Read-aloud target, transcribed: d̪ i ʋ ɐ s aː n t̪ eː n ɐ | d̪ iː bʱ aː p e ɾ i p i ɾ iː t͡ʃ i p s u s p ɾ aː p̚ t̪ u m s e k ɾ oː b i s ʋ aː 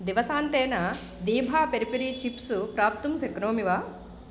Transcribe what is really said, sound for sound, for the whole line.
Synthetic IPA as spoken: d̪ i ʋ ɐ s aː n t̪ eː n ɐ | d̪ iː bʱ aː p e ɾ i p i ɾ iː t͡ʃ i p s u p ɾ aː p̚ t̪ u m s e k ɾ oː m i ʋ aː